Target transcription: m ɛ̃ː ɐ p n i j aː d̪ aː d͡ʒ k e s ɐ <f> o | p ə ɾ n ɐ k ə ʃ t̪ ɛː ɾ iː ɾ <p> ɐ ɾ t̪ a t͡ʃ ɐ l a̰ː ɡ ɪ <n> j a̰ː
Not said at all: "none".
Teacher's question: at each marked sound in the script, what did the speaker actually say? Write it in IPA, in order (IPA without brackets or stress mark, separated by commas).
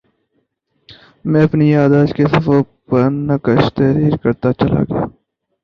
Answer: f, k, none